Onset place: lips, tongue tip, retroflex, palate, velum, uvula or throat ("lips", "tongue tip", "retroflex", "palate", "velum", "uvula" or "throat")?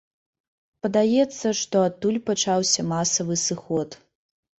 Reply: lips